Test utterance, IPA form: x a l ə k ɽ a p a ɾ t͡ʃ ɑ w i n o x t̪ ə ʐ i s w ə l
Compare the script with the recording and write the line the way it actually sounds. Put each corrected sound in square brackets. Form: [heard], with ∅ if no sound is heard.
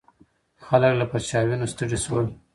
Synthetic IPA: x a l ə k [l] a p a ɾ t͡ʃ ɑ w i n o [s] t̪ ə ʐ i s w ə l